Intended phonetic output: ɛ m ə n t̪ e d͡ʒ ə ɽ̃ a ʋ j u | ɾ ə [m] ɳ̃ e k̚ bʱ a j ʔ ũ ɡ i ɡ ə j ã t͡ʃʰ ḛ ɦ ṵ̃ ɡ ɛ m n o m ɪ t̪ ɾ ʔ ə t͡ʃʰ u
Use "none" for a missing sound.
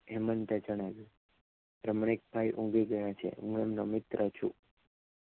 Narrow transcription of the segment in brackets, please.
m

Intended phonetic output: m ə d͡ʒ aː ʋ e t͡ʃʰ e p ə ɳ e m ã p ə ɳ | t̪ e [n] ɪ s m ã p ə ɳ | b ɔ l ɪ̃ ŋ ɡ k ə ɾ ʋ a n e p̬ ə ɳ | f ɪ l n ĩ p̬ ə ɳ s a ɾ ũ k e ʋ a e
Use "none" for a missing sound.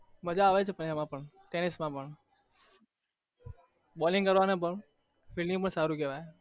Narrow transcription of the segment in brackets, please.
n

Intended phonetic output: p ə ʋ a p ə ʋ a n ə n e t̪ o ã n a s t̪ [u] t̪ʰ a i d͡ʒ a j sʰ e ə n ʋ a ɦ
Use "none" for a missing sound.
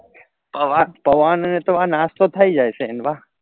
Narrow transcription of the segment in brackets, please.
o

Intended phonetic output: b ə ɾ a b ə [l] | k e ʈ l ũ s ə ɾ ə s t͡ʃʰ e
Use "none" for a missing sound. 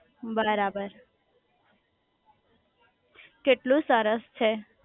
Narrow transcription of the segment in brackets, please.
ɾ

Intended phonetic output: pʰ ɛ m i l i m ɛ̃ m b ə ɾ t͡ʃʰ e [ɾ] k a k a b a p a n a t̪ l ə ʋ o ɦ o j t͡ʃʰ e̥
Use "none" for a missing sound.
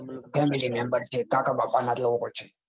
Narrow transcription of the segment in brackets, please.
none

